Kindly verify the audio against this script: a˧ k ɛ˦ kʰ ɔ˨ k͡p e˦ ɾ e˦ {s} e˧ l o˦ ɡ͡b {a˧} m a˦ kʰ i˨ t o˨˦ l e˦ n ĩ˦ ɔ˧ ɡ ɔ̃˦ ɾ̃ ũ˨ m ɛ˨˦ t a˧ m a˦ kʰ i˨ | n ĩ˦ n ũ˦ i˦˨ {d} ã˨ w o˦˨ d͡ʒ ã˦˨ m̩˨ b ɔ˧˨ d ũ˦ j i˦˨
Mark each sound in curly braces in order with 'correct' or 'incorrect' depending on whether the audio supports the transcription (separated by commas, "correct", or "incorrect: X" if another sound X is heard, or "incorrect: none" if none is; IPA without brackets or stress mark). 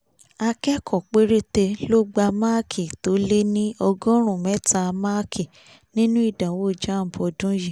incorrect: t, correct, correct